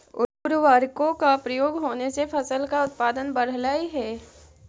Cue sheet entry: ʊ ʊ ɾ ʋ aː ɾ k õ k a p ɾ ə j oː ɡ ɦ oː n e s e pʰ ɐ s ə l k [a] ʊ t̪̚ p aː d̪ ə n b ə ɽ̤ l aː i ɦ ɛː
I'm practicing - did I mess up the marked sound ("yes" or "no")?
no